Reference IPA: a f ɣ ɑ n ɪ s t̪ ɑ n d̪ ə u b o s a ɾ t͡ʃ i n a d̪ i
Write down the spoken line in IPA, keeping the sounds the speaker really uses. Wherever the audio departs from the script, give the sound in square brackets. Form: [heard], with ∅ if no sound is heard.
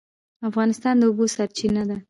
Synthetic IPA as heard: a f ɣ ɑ n ɪ s t̪ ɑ n d̪ ə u b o s a ɾ t͡ʃ i n a d̪ [a]